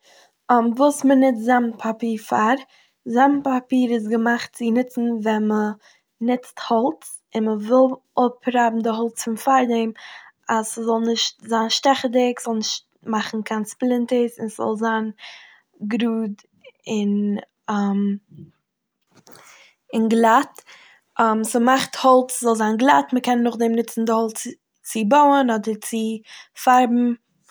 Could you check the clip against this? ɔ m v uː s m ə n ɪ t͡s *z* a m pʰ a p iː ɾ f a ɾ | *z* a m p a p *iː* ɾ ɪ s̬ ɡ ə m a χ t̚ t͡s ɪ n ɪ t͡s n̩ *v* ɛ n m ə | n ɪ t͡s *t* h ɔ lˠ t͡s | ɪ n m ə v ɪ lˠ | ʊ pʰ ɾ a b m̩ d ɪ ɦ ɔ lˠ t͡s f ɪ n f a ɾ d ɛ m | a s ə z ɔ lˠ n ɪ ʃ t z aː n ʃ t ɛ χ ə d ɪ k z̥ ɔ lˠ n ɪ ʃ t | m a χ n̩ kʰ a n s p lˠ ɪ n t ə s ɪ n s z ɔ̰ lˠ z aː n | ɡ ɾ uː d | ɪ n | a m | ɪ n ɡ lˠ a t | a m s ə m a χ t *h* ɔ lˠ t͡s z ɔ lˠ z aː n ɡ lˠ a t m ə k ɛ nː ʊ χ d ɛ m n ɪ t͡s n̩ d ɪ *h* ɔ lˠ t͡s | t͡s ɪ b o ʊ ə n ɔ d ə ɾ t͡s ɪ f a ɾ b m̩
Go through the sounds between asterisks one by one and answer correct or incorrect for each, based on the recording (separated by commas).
correct, correct, correct, correct, correct, correct, correct